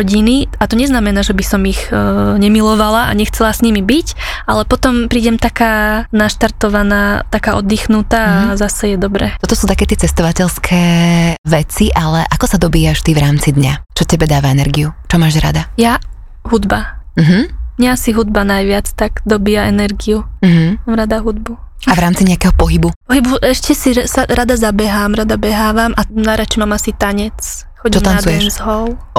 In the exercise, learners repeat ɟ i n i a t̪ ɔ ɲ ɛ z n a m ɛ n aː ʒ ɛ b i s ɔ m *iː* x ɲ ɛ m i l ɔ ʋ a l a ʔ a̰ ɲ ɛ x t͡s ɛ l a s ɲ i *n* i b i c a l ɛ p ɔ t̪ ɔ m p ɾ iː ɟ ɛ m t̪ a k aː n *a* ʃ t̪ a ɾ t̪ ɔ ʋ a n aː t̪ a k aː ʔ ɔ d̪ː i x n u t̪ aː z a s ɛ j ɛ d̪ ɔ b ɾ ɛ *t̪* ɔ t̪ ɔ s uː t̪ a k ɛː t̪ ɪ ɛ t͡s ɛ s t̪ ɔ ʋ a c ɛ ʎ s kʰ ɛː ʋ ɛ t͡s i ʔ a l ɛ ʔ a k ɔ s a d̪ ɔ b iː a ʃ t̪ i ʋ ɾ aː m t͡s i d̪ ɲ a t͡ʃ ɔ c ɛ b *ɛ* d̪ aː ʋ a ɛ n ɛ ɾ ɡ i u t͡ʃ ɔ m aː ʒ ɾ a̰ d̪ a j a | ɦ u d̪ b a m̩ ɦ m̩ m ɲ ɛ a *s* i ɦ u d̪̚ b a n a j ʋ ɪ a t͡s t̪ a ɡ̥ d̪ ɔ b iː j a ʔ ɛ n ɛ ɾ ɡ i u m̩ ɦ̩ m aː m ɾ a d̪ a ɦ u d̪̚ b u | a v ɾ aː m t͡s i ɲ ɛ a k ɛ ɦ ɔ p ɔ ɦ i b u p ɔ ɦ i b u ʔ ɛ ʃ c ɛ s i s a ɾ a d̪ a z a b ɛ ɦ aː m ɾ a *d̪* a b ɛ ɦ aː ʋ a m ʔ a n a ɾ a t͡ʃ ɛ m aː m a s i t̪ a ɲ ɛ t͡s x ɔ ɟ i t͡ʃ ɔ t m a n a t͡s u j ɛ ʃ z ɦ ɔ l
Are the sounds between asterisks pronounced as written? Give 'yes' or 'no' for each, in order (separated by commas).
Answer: no, no, yes, yes, yes, yes, yes